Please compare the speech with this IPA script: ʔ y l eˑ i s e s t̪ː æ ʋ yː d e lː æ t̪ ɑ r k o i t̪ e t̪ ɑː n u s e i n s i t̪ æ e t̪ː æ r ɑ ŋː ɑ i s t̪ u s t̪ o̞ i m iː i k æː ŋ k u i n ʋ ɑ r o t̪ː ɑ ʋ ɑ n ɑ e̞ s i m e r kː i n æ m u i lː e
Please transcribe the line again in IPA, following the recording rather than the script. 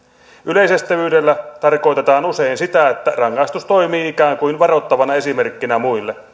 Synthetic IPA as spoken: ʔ y l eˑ i s e s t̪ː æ ʋ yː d e lː æ t̪ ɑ r k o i t̪ e t̪ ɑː n u s e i n s i t̪ æ e t̪ː æ r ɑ ŋː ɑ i s t̪ u s t̪ o̞ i m iː i k æː ŋ k u i n ʋ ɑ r o t̪ː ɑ ʋ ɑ n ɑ e̞ s i m e r kː i n æ m u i lː e